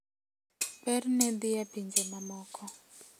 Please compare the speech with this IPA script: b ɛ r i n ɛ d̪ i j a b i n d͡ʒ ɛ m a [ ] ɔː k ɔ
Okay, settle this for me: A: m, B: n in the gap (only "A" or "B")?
A